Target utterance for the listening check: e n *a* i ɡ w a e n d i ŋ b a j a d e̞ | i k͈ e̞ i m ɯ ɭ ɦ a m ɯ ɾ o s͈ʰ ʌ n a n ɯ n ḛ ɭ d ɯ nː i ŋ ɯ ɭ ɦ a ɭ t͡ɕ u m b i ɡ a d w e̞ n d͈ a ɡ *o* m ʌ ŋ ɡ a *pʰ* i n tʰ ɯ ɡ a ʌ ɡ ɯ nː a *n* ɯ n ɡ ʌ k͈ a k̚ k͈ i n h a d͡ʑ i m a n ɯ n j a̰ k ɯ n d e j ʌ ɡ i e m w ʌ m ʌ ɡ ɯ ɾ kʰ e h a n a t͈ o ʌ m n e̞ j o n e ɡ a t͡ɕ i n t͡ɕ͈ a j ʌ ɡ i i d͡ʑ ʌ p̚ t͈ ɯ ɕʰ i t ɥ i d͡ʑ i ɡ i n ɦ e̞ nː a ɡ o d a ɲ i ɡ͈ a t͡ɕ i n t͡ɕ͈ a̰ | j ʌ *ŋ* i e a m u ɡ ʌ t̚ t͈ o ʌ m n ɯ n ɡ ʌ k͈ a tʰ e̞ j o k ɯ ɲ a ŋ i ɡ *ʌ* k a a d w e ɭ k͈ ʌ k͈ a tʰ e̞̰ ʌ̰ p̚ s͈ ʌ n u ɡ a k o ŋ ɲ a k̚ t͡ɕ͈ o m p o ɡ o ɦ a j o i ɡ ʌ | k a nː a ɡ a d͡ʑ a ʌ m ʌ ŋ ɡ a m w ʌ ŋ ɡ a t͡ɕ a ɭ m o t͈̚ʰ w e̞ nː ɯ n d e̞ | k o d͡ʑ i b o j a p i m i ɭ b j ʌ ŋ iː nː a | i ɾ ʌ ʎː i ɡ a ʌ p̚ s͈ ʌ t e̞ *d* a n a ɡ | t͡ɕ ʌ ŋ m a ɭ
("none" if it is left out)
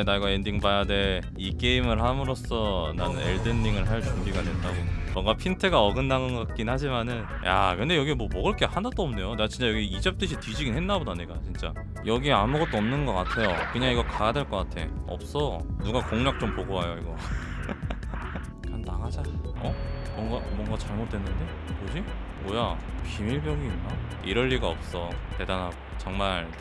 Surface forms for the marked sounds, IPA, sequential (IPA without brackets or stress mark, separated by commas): a, o, pʰ, ŋ, ɡ, ʌ, d